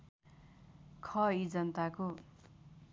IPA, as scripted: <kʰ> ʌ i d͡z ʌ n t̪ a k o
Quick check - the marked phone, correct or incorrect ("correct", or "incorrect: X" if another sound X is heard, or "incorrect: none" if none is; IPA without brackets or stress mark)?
correct